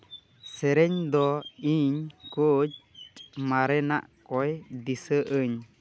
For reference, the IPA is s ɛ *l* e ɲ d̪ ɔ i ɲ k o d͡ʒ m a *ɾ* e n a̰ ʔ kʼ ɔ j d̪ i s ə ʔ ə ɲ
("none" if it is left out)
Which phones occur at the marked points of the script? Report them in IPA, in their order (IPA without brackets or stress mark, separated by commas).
ɾ, ɾ